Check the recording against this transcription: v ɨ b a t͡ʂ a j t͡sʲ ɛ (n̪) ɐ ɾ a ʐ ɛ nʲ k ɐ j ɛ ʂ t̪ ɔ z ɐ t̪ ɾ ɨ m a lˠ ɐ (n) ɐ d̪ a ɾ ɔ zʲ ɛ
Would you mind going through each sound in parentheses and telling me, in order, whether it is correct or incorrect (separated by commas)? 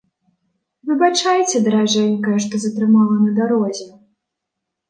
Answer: incorrect, correct